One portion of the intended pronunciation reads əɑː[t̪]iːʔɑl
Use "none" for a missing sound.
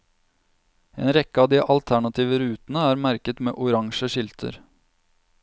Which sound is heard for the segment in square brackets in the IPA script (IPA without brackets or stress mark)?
d̪